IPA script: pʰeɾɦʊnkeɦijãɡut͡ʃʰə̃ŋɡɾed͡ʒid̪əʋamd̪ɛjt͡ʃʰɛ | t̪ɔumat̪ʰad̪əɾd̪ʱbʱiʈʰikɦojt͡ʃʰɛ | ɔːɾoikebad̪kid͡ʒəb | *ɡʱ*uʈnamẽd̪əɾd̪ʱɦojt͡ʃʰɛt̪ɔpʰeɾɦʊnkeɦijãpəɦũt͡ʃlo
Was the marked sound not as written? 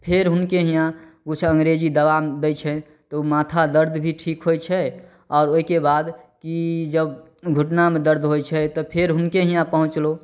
no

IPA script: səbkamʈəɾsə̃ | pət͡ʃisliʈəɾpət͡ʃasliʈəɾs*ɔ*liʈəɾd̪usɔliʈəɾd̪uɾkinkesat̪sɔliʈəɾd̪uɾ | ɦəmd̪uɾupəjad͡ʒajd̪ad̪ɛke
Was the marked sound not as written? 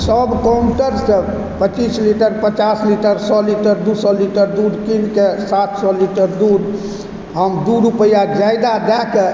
no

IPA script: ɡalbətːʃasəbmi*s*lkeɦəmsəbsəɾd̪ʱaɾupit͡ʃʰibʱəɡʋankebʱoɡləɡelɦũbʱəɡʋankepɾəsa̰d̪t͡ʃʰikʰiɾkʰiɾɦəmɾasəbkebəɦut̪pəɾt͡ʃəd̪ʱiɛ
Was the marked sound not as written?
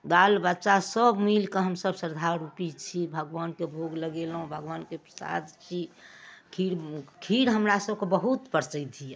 yes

